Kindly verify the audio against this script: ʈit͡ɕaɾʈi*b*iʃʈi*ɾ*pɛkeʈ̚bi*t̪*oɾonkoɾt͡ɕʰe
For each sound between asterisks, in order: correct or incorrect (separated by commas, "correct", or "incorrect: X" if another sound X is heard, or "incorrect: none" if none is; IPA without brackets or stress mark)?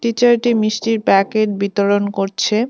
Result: incorrect: m, correct, correct